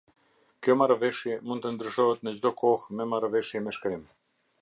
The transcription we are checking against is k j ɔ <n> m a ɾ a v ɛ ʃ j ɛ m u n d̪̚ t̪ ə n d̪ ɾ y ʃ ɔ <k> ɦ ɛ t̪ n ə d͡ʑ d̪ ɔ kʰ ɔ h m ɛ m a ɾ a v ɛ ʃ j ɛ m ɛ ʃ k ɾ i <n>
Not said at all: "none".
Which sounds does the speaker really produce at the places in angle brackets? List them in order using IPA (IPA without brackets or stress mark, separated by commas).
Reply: none, none, m